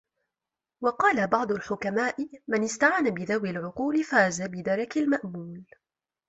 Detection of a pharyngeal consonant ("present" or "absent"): present